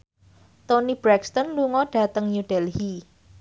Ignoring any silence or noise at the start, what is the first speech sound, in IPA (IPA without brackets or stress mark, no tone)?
t̪